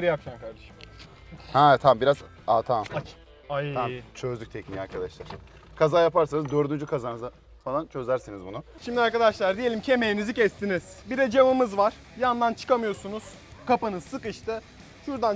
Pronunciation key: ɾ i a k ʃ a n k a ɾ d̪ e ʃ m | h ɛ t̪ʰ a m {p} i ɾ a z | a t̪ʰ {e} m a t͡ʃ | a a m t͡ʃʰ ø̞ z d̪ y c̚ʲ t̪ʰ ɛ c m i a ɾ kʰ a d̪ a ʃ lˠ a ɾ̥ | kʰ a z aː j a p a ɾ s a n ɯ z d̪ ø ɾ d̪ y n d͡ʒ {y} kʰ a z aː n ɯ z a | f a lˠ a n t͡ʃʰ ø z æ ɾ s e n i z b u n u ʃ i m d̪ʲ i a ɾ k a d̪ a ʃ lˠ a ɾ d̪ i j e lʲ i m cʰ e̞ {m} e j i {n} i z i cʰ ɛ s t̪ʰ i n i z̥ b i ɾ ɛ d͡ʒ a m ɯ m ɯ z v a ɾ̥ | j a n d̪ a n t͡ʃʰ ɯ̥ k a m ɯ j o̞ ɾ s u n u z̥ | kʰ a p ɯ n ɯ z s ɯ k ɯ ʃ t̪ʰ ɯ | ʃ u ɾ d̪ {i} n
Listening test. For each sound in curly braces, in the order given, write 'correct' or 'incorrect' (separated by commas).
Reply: incorrect, incorrect, correct, correct, correct, incorrect